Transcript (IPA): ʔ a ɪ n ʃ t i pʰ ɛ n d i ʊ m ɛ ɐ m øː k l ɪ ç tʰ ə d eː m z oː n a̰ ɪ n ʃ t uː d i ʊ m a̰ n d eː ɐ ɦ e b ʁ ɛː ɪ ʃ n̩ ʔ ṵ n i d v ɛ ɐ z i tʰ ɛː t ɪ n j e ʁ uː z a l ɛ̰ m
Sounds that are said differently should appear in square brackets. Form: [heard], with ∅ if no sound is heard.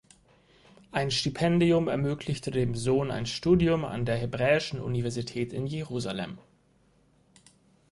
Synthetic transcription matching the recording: ʔ a ɪ n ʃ t i pʰ ɛ n d i ʊ m ɛ ɐ m øː k l ɪ ç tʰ ə d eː m z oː n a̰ ɪ n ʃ t uː d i ʊ m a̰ n d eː ɐ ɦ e b ʁ ɛː ɪ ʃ n̩ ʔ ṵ n i [∅] v ɛ ɐ z i tʰ ɛː t ɪ n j e ʁ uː z a l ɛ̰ m